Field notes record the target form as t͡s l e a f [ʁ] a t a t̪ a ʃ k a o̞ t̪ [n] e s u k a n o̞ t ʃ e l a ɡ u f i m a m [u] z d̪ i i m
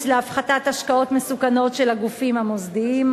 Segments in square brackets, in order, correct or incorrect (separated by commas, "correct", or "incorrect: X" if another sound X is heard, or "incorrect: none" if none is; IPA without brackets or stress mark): incorrect: χ, incorrect: m, incorrect: o